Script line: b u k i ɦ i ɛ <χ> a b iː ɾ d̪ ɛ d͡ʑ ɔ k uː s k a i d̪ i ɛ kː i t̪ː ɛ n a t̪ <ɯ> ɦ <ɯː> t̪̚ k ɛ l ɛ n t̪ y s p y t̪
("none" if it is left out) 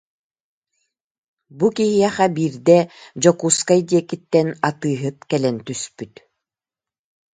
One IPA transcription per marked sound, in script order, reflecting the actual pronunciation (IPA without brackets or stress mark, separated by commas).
χ, ɯː, ɯ